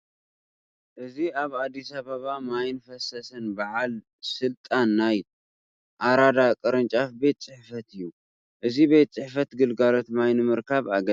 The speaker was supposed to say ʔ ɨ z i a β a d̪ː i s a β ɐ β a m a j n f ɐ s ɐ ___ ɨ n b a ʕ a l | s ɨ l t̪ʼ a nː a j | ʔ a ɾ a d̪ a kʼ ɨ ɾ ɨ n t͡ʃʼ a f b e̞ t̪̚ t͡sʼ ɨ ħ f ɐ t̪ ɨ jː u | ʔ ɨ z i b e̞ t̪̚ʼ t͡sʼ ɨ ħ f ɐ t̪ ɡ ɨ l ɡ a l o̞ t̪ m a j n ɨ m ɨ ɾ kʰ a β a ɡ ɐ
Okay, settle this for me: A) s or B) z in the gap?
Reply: A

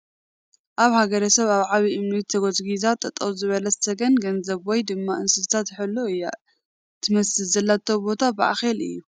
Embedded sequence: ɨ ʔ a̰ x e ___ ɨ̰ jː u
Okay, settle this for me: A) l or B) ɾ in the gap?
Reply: A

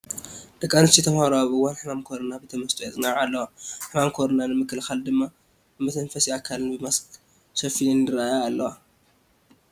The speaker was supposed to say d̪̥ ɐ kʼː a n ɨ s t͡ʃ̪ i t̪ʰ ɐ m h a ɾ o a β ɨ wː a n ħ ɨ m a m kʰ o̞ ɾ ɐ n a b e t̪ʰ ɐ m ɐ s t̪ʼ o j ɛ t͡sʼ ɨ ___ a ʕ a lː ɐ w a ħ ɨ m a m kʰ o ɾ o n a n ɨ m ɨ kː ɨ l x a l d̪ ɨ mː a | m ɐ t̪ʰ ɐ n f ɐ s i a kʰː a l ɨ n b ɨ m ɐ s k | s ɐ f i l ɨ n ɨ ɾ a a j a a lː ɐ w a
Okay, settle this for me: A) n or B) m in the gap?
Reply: A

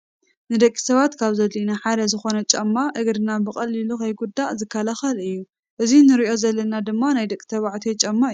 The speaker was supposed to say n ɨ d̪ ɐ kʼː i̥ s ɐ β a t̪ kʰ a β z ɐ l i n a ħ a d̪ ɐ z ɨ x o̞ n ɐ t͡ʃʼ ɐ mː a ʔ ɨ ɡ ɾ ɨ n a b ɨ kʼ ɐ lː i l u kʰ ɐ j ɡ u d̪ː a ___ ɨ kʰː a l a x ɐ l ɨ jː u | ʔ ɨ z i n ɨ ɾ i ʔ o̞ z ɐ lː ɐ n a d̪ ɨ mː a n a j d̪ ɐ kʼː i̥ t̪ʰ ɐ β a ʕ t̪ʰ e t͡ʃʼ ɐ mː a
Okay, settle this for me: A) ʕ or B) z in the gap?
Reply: B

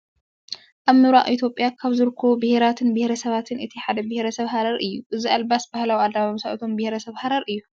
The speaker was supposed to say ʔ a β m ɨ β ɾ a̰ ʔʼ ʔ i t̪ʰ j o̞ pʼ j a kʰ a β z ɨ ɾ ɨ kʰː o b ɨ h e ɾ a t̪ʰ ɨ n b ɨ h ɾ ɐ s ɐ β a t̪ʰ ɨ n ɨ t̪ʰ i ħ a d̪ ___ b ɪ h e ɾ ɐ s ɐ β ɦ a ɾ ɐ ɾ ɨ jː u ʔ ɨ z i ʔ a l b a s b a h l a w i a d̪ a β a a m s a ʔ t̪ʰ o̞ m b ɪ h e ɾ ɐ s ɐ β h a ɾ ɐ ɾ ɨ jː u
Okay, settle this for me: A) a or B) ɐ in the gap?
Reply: B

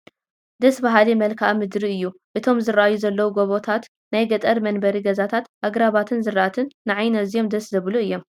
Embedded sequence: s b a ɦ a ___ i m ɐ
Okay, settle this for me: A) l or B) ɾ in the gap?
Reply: A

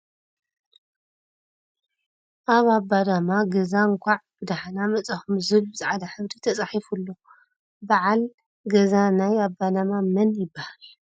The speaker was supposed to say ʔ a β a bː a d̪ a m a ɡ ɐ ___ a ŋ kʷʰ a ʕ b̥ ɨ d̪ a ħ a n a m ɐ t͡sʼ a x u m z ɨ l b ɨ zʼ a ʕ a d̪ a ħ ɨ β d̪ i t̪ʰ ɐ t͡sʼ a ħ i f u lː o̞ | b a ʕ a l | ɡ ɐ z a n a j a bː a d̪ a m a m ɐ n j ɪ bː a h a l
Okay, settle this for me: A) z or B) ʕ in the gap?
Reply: A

